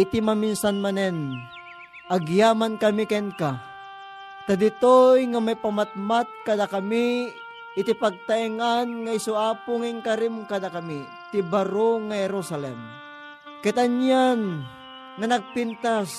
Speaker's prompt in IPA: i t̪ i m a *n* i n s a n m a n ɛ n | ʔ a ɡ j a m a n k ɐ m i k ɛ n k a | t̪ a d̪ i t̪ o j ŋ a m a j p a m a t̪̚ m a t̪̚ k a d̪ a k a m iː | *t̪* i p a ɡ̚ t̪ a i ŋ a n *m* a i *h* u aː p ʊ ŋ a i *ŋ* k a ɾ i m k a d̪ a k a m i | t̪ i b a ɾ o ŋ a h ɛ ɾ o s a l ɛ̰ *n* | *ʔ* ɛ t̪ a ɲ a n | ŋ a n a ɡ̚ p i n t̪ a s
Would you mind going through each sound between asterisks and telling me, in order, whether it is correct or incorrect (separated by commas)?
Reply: incorrect, correct, incorrect, incorrect, correct, incorrect, incorrect